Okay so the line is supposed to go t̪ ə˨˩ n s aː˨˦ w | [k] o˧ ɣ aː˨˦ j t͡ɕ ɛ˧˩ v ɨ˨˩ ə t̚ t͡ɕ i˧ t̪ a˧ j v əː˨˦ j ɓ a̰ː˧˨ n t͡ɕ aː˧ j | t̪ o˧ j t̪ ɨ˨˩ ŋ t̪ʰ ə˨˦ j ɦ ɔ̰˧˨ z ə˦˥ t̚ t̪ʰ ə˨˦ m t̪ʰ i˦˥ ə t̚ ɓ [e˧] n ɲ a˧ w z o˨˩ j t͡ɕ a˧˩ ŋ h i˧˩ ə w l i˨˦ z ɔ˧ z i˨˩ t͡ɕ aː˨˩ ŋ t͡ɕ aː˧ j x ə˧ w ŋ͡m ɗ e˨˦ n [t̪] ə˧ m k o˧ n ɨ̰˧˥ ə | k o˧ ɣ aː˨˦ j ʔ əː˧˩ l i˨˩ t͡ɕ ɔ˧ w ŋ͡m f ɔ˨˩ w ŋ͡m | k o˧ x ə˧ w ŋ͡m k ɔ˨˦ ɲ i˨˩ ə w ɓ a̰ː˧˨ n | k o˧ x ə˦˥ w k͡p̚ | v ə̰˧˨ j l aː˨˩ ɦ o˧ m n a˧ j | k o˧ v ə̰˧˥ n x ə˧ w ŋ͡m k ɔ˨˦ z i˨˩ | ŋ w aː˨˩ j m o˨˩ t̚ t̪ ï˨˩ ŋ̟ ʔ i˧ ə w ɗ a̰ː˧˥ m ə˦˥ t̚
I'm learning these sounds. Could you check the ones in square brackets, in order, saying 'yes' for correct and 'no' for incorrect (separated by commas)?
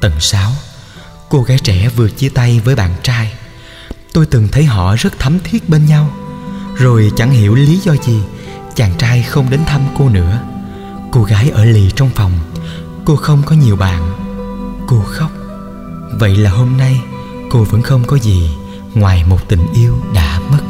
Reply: yes, yes, no